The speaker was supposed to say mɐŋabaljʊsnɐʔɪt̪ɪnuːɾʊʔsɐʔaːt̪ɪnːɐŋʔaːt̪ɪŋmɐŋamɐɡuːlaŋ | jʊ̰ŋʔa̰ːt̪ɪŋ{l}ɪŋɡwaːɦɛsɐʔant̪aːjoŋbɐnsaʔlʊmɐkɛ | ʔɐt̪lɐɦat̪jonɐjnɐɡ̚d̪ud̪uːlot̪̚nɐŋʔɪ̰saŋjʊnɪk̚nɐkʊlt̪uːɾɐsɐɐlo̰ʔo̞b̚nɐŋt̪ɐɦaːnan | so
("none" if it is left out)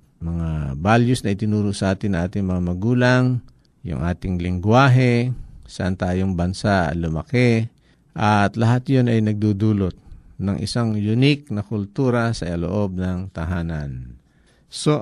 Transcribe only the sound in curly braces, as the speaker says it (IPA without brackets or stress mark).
l